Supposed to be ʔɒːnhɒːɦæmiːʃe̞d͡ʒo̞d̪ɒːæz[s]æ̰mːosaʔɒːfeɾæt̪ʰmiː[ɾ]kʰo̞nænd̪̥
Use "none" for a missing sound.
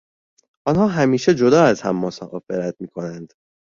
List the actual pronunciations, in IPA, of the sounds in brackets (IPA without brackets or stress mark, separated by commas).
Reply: h, none